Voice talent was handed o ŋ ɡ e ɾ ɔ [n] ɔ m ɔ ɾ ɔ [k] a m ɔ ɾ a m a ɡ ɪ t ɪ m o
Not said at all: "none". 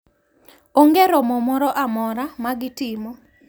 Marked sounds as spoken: m, ʔ

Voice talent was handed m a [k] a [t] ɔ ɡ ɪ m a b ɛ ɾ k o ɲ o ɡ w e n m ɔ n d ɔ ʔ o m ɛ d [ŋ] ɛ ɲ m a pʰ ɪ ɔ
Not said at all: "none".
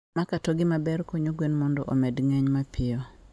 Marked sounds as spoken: k, t, ŋ

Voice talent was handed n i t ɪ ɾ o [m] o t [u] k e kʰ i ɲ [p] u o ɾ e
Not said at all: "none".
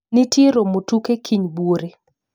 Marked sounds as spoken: m, u, b

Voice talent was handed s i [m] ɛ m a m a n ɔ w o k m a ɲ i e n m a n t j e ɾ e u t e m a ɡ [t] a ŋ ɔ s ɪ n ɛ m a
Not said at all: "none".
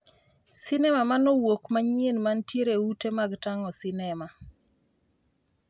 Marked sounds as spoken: n, t

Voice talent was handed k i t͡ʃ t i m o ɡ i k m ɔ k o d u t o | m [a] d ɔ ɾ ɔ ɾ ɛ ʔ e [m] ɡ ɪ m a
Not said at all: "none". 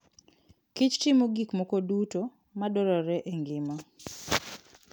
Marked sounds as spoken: a, ŋ

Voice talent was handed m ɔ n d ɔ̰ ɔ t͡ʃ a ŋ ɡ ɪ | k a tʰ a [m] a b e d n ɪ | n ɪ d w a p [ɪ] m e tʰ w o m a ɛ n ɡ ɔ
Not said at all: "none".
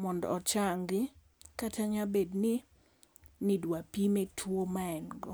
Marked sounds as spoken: ɲ, i

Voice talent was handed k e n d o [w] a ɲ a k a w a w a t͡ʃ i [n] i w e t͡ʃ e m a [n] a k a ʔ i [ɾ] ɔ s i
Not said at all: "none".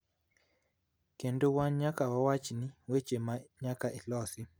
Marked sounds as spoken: w, n, ɲ, l

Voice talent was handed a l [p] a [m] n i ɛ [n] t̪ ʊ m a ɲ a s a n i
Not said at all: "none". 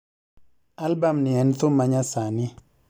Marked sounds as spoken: b, m, n

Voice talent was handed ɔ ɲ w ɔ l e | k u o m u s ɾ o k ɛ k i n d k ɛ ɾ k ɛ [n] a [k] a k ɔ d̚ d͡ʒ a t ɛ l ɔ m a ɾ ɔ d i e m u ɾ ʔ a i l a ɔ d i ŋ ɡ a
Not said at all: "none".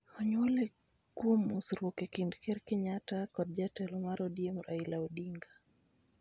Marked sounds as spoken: ɲ, t

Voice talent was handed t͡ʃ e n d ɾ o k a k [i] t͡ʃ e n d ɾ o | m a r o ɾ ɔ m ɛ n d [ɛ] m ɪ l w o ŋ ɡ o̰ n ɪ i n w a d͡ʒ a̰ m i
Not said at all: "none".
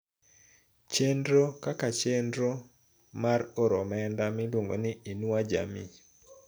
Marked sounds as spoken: a, a

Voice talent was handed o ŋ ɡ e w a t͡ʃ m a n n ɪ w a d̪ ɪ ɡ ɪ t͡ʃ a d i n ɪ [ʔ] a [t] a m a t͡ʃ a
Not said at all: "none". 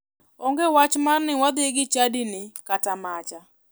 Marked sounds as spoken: k, t

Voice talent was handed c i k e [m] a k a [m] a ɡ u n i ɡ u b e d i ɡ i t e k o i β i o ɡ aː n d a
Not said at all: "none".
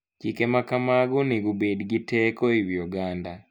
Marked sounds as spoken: m, m

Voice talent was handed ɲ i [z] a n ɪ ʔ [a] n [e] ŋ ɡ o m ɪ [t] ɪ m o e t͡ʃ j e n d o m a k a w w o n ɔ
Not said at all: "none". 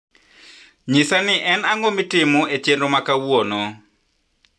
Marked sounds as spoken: s, ɛ, a, t

